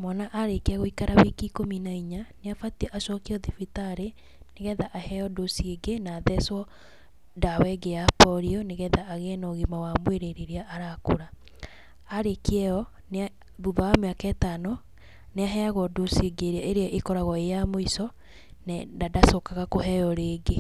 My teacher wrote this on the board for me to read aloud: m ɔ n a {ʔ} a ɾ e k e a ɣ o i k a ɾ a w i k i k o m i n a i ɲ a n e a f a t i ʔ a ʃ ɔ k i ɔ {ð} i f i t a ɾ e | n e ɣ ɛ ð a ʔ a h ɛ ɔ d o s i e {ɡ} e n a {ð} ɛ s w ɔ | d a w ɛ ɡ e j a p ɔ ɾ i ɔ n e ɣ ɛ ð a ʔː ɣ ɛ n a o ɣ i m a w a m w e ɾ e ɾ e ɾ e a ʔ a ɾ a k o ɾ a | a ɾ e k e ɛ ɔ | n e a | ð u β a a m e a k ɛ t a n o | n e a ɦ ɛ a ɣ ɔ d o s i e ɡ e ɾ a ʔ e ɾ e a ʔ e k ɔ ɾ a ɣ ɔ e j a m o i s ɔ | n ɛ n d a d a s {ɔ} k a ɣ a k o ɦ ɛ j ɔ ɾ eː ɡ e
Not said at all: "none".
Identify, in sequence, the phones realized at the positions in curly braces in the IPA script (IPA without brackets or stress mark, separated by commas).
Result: ʔ, ð, ɡ, ð, o